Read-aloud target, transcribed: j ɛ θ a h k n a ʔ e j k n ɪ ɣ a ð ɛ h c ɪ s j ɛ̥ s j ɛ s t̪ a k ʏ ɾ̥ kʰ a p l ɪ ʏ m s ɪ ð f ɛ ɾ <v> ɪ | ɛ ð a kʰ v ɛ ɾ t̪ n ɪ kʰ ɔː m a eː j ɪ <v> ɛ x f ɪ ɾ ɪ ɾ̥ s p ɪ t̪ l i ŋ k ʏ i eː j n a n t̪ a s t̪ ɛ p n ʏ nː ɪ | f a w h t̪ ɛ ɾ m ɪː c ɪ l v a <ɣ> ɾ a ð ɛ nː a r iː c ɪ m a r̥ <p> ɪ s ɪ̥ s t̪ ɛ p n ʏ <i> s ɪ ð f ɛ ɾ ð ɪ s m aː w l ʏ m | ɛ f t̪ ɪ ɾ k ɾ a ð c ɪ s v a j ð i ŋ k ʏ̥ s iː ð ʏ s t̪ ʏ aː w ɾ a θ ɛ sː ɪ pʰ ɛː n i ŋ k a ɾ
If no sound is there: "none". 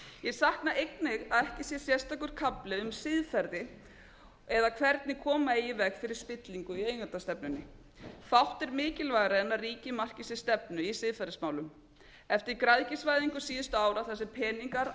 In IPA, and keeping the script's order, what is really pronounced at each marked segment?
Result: ð, v, ɣ, c, i

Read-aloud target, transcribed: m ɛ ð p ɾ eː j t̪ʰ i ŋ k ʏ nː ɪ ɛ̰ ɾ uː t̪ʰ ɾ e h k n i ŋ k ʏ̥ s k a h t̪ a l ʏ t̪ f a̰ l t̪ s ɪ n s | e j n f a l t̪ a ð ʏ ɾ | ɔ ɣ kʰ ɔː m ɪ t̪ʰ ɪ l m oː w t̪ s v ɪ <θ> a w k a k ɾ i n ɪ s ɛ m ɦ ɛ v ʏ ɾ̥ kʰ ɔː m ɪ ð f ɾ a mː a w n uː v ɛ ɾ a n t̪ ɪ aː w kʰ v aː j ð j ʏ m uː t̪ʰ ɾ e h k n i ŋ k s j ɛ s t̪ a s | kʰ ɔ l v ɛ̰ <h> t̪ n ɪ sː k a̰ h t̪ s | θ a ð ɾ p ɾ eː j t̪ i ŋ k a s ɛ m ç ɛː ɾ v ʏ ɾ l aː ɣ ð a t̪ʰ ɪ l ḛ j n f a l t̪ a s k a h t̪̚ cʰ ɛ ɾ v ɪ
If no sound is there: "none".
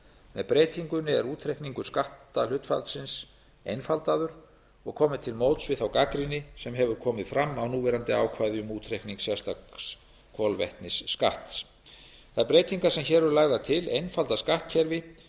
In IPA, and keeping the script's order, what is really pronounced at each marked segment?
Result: θ, h

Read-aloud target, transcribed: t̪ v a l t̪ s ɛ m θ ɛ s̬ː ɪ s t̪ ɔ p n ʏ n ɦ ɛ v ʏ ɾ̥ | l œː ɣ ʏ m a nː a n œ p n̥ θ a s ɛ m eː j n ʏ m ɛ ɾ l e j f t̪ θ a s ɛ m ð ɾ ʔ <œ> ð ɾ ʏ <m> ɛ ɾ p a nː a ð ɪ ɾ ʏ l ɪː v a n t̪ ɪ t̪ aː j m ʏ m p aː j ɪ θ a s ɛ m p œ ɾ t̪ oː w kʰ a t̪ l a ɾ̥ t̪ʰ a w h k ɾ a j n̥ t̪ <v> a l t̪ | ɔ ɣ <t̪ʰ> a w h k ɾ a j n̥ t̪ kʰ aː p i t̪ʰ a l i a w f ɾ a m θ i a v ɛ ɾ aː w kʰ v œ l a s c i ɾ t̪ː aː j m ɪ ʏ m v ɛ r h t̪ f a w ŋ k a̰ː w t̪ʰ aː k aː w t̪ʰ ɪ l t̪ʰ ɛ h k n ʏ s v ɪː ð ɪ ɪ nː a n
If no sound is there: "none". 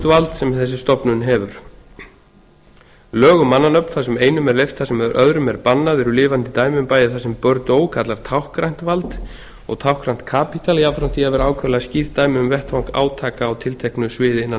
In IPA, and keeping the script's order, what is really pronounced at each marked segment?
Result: œ, m, v, t̪ʰ

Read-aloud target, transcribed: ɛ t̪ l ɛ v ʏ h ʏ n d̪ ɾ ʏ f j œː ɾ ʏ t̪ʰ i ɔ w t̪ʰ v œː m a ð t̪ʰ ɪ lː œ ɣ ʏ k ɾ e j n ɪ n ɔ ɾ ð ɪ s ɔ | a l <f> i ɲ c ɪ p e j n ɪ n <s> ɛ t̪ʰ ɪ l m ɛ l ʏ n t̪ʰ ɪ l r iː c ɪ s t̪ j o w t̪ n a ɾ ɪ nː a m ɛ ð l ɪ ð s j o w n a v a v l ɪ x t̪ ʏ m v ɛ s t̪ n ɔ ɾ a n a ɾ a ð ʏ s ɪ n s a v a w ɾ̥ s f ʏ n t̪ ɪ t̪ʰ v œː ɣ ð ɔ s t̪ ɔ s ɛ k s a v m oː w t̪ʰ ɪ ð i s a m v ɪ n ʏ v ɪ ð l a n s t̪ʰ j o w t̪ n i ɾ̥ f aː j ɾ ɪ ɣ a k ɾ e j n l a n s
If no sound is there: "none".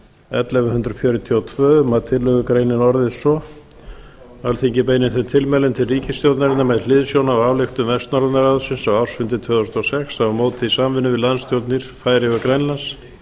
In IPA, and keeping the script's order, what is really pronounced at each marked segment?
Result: θ, θ

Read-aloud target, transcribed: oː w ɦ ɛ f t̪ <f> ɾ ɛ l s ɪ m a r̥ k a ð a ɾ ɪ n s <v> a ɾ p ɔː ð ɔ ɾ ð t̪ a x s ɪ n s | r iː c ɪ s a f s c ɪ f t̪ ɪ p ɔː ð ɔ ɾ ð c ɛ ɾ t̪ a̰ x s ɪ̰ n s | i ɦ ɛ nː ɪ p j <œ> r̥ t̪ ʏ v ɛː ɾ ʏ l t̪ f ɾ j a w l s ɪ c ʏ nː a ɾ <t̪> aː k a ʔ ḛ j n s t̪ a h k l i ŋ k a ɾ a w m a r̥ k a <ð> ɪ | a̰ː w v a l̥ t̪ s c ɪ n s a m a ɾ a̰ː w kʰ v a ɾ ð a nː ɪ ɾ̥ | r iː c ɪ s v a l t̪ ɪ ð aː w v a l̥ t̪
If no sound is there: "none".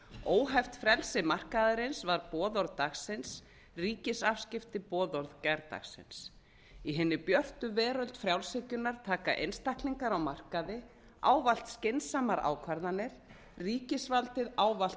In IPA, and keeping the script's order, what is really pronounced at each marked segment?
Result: f, v, œ, t̪ʰ, ð

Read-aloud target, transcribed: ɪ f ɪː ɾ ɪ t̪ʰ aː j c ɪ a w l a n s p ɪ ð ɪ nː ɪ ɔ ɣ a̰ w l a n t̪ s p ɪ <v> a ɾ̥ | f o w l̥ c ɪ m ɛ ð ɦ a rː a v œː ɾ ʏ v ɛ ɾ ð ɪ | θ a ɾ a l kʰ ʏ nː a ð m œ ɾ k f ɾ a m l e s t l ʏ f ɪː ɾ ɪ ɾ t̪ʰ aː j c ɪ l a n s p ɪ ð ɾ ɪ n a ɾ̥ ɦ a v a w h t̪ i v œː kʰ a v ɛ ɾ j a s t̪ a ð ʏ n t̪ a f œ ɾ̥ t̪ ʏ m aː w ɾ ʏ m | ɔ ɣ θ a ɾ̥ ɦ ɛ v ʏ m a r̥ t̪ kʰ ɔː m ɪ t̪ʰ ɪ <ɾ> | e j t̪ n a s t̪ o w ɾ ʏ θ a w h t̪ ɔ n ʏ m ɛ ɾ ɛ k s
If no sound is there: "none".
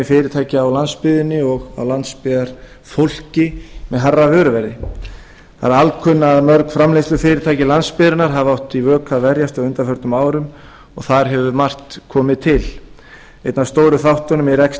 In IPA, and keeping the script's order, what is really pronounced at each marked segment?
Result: ð, l

